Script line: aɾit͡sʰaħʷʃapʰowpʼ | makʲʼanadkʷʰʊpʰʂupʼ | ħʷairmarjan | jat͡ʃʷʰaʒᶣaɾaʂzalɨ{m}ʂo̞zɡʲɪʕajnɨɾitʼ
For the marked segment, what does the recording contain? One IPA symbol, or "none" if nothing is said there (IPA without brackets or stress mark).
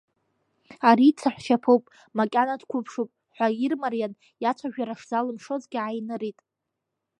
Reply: m